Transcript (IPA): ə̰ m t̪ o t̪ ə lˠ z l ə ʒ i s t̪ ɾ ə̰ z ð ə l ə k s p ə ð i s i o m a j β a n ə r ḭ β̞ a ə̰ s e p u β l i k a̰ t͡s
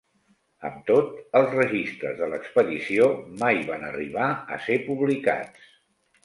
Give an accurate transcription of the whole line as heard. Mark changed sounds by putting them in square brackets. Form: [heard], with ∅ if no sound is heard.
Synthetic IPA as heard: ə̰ m t̪ o t̪ ə lˠ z [r] ə ʒ i s t̪ ɾ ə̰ z ð ə l ə k s p ə ð i s i o m a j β a n ə r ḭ β̞ a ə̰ s e p u β l i k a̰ t͡s

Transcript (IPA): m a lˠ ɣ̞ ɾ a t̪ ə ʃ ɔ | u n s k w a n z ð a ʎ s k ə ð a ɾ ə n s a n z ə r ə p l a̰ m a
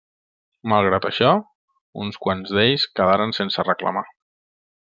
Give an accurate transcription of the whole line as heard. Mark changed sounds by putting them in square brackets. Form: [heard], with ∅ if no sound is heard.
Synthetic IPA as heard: m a lˠ ɣ̞ ɾ a t̪ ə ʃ ɔ | u n s k w a n z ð [e] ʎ s k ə ð a ɾ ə n s [e] n [s] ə r ə [k] l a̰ m a

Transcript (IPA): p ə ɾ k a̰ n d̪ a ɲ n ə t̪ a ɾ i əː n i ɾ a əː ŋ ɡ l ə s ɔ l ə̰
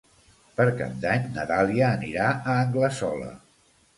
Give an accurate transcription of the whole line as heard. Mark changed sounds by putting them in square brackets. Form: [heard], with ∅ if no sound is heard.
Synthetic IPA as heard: p ə ɾ k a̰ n d̪ a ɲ n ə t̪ a [l] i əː n i ɾ a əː ŋ ɡ l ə s ɔ l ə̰

